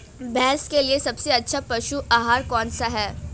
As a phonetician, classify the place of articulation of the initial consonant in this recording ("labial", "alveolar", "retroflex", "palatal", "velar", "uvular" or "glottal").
labial